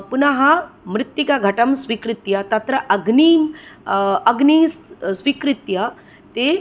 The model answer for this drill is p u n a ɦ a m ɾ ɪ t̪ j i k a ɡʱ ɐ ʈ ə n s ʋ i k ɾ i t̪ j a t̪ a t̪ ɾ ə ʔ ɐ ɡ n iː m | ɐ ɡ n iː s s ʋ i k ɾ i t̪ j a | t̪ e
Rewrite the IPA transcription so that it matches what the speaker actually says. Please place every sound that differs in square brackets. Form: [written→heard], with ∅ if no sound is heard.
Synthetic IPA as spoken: p u n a ɦ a m ɾ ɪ t̪ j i k a ɡʱ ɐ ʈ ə [n→m] s ʋ i k ɾ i t̪ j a t̪ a t̪ ɾ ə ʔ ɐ ɡ n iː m | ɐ ɡ n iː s s ʋ i k ɾ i t̪ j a | t̪ e